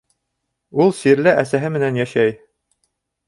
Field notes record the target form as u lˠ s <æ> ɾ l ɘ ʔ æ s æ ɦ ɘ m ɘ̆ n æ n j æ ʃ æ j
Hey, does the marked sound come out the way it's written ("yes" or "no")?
no